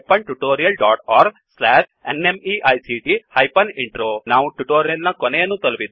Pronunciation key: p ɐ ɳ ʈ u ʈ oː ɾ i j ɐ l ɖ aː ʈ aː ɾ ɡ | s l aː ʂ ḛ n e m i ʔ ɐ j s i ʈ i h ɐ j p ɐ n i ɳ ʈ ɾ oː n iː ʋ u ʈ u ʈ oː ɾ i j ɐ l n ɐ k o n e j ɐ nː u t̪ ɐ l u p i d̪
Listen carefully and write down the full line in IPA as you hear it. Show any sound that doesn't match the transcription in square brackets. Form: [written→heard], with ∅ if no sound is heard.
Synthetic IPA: p ɐ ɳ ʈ u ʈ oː ɾ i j ɐ l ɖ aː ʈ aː ɾ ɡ | s l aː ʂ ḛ n e m i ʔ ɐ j s i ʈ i h ɐ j p ɐ n i ɳ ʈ ɾ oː n [iː→aː] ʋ u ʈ u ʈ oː ɾ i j ɐ l n ɐ k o n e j ɐ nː u t̪ ɐ l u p i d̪